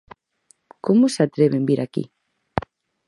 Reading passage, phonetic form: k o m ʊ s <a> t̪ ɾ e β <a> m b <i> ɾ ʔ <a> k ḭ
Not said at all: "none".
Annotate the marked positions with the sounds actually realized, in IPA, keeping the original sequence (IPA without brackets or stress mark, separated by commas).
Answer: a, e, i, a